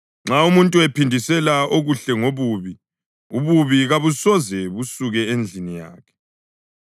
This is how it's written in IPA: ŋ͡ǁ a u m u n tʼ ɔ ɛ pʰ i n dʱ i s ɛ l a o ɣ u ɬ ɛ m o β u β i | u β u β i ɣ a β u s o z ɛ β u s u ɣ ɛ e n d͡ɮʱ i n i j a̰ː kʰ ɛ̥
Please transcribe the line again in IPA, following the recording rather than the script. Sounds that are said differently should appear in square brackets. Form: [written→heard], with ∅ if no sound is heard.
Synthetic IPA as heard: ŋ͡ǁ a u m u n tʼ [ɔ→u] ɛ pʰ i n dʱ i s ɛ l a o ɣ u ɬ ɛ [m→ŋ] o β u β i | u β u β i ɣ a β u s [o→ɔ] z ɛ β u s u ɣ ɛ e n d͡ɮʱ i n i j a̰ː kʰ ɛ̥